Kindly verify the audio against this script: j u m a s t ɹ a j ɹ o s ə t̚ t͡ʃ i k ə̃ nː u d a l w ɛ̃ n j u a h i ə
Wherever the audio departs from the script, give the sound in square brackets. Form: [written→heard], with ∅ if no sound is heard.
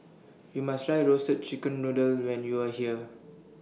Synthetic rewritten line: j u m a s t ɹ a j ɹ o s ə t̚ t͡ʃ i k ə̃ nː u d [a→ə] l w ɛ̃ n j u a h i ə